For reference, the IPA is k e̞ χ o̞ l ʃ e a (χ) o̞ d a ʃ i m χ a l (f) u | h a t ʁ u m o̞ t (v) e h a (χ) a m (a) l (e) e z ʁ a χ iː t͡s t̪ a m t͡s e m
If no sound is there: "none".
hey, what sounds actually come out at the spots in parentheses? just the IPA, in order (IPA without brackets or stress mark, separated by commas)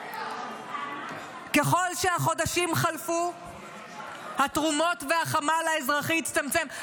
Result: χ, f, v, χ, a, a